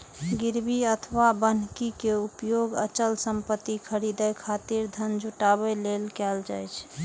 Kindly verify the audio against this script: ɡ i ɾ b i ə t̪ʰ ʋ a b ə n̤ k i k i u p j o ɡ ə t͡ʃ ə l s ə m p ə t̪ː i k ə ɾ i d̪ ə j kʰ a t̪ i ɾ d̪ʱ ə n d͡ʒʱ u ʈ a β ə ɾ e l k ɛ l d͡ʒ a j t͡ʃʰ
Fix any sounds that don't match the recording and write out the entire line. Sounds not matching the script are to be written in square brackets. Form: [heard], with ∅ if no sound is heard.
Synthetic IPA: ɡ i ɾ b i ə t̪ʰ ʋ a b ə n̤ k i k [e] u p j o ɡ ə t͡ʃ ə l s ə m p ə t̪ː i [kʰ] ə ɾ i d̪ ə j kʰ a t̪ i ɾ d̪ʱ ə n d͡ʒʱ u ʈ a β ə [l] e l k ɛ l d͡ʒ a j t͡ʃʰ